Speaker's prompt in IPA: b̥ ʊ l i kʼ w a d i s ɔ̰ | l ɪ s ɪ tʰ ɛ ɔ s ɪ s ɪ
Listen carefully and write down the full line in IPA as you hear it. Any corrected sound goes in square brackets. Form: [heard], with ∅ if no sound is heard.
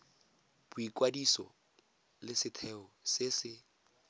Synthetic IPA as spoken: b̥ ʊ [∅] i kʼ w a d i s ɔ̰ | l ɪ s ɪ tʰ ɛ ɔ s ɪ s ɪ